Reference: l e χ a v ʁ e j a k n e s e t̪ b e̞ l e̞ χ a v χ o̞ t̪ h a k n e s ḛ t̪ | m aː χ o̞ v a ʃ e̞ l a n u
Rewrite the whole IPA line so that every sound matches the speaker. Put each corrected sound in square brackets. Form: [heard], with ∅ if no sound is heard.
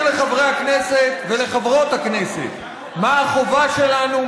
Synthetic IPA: l e χ a v ʁ e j a k n e s e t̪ [v] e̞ l e̞ χ a v [ʁ] o̞ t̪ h a k n e s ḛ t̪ | m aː χ o̞ v a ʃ e̞ l a n u